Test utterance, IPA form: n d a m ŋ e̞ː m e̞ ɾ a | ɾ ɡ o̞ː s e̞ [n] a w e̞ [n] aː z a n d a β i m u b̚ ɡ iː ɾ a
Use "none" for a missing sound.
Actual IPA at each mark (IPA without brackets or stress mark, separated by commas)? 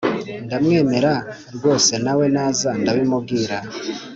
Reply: n, n